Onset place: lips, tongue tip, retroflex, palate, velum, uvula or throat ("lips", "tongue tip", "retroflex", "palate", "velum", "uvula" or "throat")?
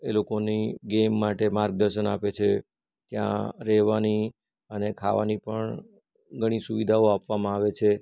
tongue tip